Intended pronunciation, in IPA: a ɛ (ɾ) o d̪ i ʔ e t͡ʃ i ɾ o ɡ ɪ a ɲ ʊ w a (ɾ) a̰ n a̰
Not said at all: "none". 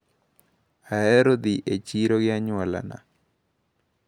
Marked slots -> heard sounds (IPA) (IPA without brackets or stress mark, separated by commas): ɾ, l